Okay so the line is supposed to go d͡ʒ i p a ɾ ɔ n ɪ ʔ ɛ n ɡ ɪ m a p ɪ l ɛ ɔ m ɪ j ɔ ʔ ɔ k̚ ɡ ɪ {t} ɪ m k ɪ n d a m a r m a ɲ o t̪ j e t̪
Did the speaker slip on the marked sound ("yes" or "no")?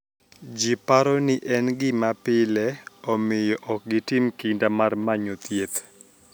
no